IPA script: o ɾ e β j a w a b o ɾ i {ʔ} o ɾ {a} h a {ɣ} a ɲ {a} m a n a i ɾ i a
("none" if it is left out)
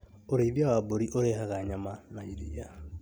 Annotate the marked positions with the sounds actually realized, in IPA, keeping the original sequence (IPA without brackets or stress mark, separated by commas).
ʔ, e, ɣ, a